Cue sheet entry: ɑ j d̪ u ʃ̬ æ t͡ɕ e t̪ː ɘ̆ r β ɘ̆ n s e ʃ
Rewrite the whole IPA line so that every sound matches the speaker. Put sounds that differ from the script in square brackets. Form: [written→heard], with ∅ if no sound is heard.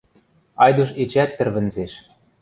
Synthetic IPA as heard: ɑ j d̪ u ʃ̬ [æ→e] t͡ɕ [e→æ] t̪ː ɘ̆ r β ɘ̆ n [s→z] e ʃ

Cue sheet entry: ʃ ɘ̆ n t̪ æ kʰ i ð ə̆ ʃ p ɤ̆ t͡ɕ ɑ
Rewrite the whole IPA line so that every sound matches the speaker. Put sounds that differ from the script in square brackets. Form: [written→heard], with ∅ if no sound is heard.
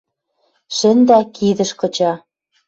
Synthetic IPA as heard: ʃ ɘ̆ n [t̪→d̪] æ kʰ i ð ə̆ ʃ [p→k] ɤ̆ t͡ɕ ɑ

